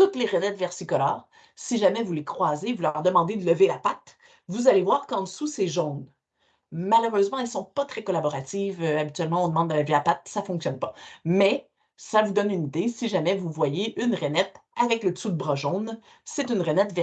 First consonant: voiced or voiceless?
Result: voiceless